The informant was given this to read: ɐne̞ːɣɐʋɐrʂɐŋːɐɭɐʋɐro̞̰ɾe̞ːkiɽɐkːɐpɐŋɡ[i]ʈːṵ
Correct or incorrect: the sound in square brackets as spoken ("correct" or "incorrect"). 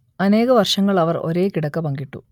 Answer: correct